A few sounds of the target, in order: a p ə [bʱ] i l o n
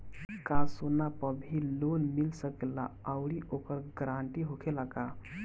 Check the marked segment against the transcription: correct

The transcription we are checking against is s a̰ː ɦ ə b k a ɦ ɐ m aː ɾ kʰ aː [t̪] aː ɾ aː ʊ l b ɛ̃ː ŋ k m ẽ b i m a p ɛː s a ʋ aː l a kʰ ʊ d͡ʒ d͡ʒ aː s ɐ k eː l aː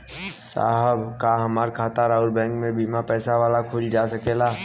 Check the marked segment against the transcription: correct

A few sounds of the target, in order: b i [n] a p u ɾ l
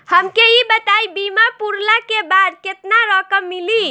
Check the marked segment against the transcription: incorrect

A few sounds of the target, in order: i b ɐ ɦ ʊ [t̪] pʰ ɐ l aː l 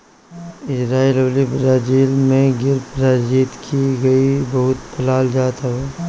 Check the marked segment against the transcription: correct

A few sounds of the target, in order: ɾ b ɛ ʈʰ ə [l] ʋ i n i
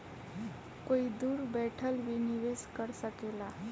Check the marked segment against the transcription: correct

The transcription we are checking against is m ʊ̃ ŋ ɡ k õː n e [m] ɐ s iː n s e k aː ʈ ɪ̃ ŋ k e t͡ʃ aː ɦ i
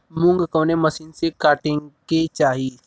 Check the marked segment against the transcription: correct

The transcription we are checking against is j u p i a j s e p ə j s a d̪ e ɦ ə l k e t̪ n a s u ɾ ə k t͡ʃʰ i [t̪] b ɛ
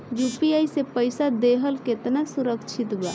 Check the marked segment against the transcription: correct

